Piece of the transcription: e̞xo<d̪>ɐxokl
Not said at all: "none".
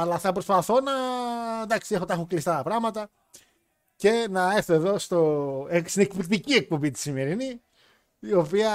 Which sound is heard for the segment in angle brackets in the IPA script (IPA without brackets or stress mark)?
t̪